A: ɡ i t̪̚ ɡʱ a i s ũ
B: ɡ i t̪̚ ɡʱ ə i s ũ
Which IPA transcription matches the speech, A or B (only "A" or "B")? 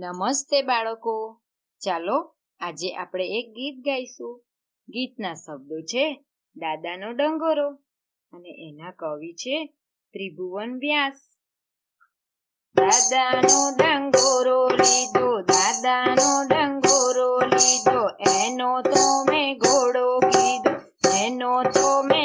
A